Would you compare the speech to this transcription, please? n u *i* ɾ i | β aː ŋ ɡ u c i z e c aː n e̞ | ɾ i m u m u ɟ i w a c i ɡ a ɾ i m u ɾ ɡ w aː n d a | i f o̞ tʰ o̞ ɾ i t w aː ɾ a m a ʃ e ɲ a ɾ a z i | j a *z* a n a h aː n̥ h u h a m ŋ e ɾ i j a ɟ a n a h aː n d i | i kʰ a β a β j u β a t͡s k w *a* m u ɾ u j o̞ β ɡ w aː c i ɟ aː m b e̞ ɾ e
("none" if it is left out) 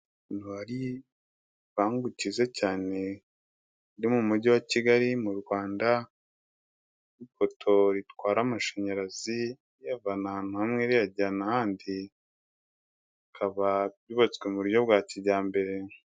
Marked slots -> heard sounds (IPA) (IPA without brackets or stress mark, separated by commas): a, v, e